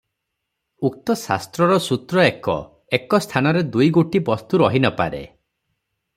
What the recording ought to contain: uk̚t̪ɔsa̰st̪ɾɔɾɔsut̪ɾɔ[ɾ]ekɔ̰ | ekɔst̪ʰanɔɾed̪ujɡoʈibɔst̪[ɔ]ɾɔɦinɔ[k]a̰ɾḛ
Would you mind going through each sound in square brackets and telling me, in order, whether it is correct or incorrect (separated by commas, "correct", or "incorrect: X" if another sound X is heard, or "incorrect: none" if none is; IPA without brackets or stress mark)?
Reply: incorrect: none, incorrect: u, incorrect: p